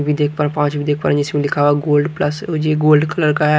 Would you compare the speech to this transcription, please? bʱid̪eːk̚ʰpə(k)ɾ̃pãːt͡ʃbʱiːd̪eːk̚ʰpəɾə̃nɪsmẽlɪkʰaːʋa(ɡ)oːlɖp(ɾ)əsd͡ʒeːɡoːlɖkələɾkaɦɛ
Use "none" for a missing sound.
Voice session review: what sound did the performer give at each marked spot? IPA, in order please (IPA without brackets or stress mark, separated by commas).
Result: none, ɡ, l